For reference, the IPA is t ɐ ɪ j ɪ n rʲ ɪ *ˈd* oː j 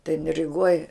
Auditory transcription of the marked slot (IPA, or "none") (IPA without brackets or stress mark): ɡ